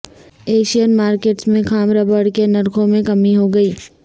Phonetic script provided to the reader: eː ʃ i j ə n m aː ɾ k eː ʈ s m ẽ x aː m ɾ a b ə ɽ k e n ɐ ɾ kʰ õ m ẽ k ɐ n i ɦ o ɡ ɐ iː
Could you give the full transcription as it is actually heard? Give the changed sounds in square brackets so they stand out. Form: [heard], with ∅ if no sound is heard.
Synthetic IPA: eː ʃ i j ə n m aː ɾ k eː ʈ s m ẽ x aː m ɾ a b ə ɽ k e n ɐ ɾ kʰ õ m ẽ k ɐ [m] i ɦ o ɡ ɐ iː